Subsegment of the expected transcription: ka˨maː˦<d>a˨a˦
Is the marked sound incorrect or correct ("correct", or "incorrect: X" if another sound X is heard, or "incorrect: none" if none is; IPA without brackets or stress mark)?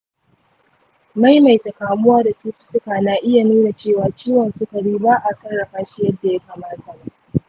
incorrect: t